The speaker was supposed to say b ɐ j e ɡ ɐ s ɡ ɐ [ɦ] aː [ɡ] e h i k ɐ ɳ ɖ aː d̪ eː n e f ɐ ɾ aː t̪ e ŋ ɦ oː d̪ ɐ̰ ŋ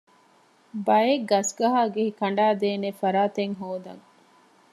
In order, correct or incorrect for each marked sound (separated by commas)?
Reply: correct, correct